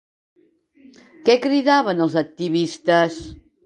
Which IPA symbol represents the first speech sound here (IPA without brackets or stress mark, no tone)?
k